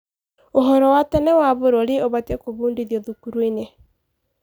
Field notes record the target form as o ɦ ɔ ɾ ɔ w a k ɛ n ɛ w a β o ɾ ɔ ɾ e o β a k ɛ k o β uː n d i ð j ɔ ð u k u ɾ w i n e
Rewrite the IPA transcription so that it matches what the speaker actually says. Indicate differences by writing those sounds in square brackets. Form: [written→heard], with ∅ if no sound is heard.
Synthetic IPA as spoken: o ɦ ɔ ɾ ɔ w a [k→t] ɛ n ɛ w a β o ɾ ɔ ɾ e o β a [k→t] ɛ k o β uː n d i ð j ɔ ð u k u ɾ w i n e